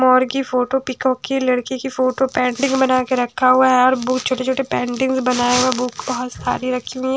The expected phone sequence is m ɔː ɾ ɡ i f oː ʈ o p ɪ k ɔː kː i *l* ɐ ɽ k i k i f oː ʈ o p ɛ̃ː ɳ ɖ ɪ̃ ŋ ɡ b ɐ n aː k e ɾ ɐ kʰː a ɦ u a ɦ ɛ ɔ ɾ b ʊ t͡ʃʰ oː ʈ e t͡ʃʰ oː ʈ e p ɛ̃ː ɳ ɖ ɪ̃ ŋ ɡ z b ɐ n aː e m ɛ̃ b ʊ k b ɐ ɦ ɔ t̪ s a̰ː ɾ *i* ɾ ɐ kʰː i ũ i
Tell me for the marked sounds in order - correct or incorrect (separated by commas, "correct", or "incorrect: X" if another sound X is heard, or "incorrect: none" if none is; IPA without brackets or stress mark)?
correct, correct